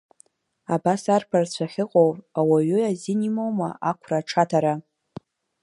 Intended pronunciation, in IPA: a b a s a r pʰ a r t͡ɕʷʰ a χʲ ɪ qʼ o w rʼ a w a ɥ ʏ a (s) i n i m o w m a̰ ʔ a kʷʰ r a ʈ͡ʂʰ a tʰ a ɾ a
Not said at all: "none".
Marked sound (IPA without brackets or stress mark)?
z